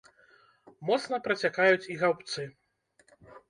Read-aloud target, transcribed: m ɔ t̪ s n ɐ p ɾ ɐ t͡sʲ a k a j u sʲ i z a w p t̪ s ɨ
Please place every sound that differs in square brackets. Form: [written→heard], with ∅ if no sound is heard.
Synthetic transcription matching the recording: m ɔ t̪ s n ɐ p ɾ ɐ t͡sʲ a k a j u [sʲ→t͡sʲ] i [z→ɣ] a w p t̪ s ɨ